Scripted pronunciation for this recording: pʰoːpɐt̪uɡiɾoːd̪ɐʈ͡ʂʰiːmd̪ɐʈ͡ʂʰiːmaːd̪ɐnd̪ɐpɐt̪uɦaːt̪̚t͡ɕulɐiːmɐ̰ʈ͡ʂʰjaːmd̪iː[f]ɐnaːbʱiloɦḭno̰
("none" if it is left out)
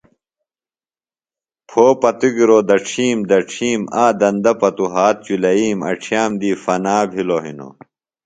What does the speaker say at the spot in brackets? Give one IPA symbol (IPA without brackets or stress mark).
f